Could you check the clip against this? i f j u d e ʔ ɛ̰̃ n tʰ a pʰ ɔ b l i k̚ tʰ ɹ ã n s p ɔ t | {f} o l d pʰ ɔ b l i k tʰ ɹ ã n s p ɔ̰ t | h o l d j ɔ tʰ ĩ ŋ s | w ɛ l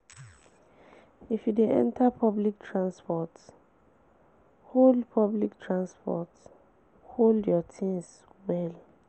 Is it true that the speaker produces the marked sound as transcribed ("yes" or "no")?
no